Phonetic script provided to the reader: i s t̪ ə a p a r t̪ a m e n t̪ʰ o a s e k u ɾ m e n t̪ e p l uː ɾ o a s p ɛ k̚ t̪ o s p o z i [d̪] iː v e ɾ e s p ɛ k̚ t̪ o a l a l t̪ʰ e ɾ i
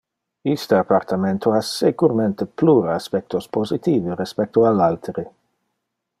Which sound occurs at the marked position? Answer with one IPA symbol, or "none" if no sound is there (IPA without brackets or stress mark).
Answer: t̪